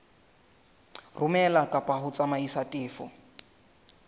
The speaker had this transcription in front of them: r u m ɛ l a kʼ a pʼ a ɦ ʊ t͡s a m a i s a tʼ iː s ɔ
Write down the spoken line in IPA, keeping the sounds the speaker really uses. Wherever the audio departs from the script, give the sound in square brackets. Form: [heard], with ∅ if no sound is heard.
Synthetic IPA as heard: r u m ɛ l a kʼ a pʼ a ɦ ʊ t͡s a m a i s a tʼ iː [f] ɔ